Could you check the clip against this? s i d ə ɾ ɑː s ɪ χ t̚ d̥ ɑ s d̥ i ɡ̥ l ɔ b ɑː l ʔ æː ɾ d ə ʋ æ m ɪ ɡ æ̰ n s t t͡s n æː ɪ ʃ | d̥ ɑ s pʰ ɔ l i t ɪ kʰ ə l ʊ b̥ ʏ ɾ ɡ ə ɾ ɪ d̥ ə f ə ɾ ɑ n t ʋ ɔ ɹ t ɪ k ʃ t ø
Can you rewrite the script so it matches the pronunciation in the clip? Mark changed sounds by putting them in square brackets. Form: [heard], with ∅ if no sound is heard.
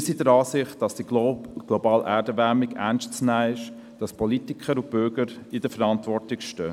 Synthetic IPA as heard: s i d ə ɾ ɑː s ɪ χ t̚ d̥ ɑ s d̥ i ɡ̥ l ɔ b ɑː l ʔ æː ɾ d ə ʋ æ m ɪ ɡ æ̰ n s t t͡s n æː ɪ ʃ | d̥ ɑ s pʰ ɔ l i t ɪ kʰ ə [ɾ] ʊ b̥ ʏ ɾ ɡ ə ɾ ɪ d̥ ə f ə ɾ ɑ n t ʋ ɔ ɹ t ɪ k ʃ t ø

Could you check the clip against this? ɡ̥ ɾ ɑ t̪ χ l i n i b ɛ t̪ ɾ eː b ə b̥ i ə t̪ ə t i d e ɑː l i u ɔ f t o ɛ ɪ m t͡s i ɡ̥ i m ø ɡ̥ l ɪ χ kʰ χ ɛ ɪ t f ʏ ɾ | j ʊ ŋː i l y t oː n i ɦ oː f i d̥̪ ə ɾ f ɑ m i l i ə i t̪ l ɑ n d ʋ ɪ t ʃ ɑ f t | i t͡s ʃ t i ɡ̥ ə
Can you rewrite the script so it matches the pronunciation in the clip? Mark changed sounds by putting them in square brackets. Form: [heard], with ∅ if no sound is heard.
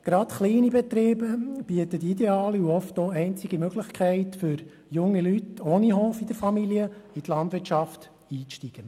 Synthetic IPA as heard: ɡ̥ ɾ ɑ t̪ χ l [iː] n i b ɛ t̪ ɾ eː b ə b̥ i ə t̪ ə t i d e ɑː l i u ɔ f t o ɛ ɪ [n] t͡s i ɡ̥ i m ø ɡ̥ l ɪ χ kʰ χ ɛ ɪ t f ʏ ɾ | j ʊ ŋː i l y t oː n i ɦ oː f i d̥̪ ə ɾ f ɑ m i l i ə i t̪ l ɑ n d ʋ ɪ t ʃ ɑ f t | [iː] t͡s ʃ t i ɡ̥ ə

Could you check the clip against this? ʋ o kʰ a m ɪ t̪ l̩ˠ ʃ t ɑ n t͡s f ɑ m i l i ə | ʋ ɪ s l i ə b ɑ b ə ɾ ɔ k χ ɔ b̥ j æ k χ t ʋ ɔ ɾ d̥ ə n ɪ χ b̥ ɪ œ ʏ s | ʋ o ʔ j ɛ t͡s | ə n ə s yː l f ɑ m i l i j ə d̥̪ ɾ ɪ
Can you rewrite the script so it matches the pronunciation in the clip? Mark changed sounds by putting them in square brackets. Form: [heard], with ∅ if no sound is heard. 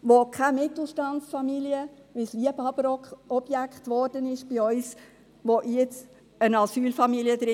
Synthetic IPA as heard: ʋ o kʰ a m ɪ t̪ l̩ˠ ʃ t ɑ n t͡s f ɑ m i l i ə | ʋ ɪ s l i ə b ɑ b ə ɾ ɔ k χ ɔ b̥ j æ k χ t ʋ ɔ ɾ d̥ ə n ɪ [ʃ] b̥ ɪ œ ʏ s | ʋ o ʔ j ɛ t͡s | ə n [ɑ] s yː l f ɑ m i l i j ə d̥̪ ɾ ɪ

